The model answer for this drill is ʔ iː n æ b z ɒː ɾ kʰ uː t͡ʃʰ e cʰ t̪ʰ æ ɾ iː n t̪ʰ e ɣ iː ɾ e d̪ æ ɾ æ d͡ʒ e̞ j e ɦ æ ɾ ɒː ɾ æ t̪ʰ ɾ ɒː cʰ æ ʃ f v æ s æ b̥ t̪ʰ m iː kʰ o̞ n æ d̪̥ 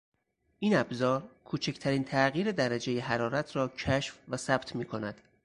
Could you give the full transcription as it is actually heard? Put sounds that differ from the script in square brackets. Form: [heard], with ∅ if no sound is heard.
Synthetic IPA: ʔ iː n æ b z ɒː ɾ kʰ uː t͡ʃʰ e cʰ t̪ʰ æ ɾ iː n t̪ʰ [æ] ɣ iː ɾ e d̪ æ ɾ æ d͡ʒ e̞ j e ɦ æ ɾ ɒː ɾ æ t̪ʰ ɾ ɒː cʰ æ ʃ f v æ s æ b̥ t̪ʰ m iː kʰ o̞ n æ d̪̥